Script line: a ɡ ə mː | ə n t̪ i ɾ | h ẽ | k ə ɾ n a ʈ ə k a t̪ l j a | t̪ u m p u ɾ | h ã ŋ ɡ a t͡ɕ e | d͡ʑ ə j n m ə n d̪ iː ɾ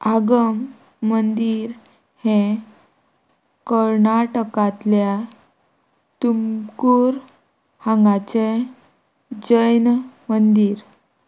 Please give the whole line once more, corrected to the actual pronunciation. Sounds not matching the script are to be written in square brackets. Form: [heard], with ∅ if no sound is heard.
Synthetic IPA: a ɡ ə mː | ə n [d̪] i ɾ | h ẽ | k ə ɾ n a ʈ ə k a t̪ l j a | t̪ u m [k] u ɾ | h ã ŋ ɡ a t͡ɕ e | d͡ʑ ə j n m ə n d̪ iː ɾ